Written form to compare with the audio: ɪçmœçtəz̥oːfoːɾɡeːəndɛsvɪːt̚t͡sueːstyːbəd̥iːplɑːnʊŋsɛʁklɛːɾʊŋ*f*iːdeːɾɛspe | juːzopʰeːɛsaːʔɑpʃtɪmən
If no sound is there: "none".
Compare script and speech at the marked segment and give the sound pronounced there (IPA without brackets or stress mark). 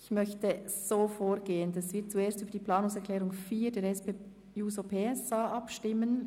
f